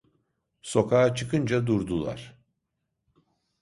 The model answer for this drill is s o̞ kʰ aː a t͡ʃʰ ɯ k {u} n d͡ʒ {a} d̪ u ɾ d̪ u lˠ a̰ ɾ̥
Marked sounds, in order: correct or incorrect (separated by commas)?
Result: incorrect, correct